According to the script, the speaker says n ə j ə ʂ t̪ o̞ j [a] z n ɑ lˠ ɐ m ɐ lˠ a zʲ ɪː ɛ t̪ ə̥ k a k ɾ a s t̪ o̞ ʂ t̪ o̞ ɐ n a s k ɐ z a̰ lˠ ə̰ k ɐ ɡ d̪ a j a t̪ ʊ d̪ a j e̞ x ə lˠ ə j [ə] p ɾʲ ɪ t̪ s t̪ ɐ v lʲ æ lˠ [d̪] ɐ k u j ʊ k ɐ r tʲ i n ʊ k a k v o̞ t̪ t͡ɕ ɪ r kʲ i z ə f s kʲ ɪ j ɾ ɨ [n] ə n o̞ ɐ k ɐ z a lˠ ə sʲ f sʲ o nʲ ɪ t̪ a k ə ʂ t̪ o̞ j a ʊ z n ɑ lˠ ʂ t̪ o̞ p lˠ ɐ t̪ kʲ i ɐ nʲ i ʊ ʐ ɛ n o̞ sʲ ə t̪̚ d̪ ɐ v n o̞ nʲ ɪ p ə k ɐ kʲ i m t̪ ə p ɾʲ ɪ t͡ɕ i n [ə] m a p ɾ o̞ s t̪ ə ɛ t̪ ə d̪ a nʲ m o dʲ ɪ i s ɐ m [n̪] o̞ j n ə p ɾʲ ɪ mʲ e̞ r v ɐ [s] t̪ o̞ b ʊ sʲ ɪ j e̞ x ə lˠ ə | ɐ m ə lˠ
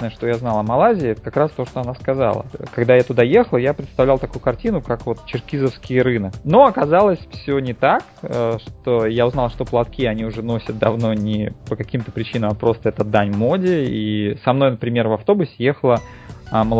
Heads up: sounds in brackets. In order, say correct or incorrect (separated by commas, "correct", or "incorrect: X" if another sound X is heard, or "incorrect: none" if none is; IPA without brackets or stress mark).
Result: correct, incorrect: a, incorrect: t̪, correct, correct, correct, incorrect: f